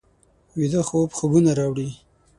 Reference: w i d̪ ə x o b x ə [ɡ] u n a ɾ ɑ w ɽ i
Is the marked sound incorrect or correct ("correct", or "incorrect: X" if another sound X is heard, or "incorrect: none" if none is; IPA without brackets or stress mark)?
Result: correct